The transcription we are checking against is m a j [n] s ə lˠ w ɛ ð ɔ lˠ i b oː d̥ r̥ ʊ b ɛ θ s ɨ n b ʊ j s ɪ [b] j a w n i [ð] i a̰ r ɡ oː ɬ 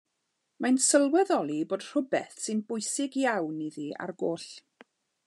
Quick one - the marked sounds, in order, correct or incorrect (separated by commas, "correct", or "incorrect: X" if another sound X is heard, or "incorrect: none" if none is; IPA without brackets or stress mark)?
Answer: correct, incorrect: ɡ, correct